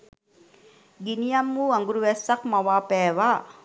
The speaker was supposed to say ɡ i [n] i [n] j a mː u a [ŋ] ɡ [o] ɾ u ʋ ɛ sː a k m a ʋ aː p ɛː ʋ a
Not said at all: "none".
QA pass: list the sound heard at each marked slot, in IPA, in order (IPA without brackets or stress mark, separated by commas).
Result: n, none, ŋ, u